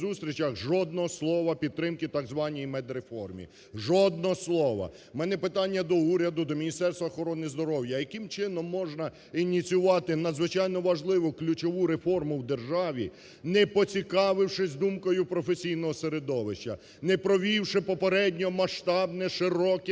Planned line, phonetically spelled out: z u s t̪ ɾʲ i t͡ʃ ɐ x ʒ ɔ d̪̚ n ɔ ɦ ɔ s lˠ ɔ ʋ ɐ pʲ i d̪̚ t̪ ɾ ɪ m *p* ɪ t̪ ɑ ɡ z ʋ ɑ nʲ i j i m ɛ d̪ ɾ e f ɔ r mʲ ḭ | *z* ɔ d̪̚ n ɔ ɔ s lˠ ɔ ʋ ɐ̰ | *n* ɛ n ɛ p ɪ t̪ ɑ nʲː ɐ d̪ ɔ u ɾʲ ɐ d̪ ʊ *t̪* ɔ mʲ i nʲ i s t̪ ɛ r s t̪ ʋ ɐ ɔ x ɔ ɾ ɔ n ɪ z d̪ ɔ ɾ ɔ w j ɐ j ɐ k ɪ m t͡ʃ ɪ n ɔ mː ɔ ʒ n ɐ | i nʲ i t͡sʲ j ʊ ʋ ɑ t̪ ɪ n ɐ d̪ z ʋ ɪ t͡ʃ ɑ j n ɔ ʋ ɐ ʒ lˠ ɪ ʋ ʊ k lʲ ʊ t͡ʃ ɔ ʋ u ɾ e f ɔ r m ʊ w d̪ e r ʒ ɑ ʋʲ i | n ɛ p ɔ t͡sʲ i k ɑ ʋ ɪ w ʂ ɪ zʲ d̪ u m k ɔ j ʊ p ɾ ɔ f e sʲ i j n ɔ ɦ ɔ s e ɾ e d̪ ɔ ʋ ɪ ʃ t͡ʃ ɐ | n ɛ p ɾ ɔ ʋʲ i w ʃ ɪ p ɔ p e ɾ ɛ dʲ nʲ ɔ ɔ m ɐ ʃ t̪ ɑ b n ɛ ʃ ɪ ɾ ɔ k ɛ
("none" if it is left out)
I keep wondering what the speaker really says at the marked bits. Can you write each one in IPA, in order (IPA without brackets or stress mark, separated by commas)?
k, ʒ, m, d̪